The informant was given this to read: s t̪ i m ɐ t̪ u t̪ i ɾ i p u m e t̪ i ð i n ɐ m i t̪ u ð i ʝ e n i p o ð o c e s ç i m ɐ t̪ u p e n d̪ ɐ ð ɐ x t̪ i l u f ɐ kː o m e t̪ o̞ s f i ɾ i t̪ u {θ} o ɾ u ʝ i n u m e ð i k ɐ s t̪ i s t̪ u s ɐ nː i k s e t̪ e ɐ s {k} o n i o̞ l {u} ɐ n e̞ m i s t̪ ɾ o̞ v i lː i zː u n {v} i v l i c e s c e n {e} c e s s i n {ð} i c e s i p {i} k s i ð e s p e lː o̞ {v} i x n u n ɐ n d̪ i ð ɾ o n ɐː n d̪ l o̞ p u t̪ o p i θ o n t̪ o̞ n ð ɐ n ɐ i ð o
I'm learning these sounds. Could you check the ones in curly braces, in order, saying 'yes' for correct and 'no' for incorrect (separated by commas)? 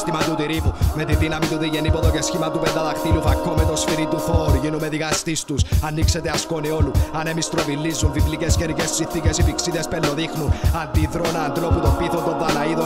yes, yes, yes, yes, no, no, yes, no